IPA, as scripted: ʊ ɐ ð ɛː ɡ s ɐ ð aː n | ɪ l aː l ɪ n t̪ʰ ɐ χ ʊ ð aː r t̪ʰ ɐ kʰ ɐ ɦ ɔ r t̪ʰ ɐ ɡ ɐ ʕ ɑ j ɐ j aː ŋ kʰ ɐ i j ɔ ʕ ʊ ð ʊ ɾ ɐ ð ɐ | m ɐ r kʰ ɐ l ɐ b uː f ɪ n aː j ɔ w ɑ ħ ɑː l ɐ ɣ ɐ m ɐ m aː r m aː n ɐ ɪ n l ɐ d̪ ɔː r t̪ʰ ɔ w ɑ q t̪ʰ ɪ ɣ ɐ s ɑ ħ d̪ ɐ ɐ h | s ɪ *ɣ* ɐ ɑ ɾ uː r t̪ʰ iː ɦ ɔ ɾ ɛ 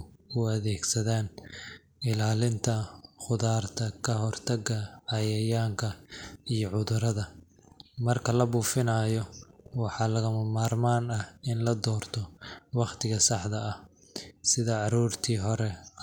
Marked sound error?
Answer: yes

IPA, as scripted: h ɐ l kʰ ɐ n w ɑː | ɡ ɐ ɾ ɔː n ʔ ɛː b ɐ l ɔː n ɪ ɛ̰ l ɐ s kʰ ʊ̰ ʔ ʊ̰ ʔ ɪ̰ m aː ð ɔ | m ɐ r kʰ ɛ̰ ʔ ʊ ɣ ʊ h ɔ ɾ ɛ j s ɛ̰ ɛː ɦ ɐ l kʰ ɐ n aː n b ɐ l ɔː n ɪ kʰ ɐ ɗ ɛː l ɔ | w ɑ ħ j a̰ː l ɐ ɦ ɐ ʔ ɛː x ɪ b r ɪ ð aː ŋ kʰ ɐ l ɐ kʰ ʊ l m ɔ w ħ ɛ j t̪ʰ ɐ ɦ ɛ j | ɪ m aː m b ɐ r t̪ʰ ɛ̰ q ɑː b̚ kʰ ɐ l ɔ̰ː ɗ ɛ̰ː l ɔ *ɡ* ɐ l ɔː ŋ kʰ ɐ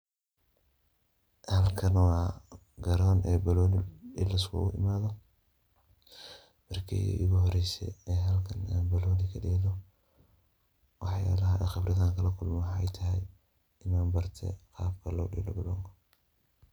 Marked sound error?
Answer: yes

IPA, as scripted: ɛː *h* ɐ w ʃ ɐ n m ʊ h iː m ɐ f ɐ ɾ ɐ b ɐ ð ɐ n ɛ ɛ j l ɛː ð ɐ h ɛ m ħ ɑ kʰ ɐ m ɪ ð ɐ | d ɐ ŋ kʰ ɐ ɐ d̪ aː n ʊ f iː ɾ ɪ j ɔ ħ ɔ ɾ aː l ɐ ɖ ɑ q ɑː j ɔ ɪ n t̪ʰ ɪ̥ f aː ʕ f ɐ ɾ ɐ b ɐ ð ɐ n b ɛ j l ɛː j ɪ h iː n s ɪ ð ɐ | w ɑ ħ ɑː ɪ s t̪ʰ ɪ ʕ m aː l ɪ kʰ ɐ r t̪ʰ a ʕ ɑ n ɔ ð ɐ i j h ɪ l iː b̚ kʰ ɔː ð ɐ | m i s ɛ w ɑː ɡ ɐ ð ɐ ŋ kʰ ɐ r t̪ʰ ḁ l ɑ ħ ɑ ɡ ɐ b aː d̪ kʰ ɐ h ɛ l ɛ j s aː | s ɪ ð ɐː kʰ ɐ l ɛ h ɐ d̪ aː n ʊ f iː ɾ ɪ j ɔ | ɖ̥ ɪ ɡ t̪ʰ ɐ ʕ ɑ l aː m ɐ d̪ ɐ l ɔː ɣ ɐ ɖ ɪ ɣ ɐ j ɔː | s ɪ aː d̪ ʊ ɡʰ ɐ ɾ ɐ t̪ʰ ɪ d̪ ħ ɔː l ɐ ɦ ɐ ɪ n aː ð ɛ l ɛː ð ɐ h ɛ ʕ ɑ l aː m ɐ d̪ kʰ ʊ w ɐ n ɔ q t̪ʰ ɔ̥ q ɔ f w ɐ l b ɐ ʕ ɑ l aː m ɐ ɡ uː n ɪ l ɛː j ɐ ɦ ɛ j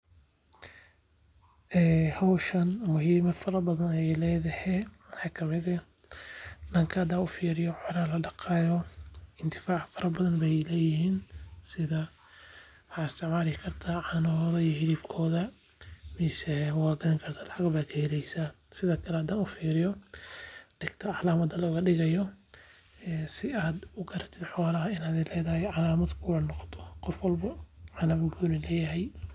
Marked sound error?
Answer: no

